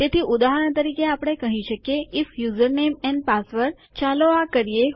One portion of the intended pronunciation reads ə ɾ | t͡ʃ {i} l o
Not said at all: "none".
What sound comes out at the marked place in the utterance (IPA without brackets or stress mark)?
a